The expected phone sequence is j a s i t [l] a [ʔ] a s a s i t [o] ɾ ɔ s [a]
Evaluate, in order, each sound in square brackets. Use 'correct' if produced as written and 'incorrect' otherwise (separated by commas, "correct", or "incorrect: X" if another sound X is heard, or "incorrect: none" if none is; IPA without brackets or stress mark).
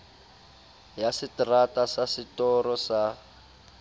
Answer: incorrect: r, incorrect: t, incorrect: ɔ, correct